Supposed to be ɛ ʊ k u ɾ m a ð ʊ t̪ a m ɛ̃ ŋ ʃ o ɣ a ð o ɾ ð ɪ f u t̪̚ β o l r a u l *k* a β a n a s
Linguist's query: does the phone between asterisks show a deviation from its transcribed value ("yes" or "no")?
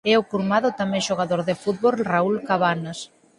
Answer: no